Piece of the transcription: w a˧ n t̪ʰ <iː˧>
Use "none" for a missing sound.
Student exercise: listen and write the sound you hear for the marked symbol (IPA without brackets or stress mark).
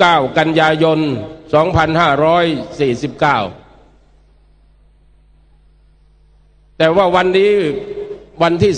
iː˥˩